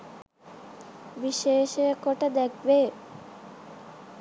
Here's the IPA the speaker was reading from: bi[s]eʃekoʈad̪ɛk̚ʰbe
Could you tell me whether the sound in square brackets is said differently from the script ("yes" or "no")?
yes